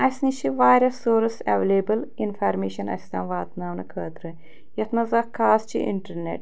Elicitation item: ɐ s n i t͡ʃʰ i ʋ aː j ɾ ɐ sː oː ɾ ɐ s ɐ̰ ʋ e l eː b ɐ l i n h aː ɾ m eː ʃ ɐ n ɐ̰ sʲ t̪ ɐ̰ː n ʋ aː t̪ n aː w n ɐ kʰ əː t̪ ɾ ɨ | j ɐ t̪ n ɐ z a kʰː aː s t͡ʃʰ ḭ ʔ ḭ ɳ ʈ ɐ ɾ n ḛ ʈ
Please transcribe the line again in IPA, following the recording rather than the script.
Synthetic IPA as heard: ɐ s n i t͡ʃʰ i ʋ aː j ɾ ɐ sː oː ɾ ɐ s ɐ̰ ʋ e l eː b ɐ l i n f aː ɾ m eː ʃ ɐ n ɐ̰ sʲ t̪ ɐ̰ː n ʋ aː t̪ n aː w n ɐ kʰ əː t̪ ɾ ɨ | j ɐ t̪ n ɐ z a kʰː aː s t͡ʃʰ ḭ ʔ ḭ ɳ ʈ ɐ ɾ n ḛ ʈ